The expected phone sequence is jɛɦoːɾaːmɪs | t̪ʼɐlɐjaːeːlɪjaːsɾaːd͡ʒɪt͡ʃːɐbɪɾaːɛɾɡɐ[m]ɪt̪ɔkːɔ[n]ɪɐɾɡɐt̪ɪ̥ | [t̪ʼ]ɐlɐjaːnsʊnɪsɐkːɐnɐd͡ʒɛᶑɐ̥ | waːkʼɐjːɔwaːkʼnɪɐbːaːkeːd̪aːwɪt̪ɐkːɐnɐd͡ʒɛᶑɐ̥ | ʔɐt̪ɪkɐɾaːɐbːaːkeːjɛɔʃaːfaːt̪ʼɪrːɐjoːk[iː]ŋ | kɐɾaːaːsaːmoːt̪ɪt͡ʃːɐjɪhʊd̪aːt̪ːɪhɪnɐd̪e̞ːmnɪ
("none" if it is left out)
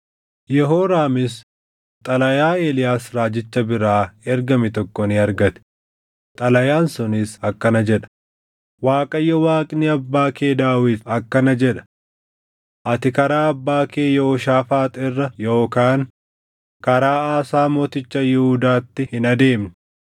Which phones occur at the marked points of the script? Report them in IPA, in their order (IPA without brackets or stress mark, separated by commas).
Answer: m, n, t̪ʼ, aː